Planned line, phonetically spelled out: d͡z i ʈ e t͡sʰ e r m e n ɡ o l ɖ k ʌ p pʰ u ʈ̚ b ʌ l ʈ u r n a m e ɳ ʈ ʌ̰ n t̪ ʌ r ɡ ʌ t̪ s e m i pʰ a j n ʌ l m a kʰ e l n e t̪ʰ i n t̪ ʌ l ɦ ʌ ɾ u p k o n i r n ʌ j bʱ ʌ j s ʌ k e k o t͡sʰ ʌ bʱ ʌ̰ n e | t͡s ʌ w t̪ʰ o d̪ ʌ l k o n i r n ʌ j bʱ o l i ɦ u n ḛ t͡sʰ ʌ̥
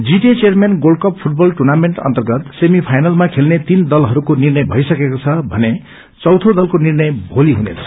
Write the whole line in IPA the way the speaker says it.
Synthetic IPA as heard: d͡z i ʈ e t͡s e r m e n ɡ o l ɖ k ʌ p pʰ u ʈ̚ b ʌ l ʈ u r n a m e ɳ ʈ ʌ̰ n t̪ ʌ r ɡ ʌ t̪ s e m i pʰ a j n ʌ l m a kʰ e l n e t̪ i n d̪ ʌ l ɦ ʌ ɾ u k o n i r n ʌ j bʱ ʌ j s ʌ k e k o t͡sʰ ʌ bʱ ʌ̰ n e | t͡s ʌ w t̪ʰ o d̪ ʌ l k o n i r n ʌ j bʱ o l i ɦ u n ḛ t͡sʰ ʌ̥